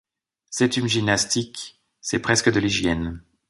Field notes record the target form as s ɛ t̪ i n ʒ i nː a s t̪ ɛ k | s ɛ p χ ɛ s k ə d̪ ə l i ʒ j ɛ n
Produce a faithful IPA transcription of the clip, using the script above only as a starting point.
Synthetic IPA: s ɛ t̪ y n ʒ i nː a s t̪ i k | s ɛ p χ ɛ s k ə d̪ ə l i ʒ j ɛ n